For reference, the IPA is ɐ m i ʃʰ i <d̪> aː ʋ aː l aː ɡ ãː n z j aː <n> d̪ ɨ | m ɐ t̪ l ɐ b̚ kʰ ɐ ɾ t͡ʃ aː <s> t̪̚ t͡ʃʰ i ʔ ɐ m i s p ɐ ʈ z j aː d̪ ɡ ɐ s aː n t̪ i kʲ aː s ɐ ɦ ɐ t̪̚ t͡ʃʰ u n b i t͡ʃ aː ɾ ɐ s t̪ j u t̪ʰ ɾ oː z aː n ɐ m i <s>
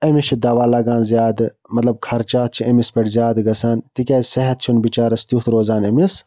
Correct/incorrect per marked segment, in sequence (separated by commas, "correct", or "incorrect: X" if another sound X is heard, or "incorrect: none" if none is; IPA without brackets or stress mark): correct, incorrect: none, incorrect: none, correct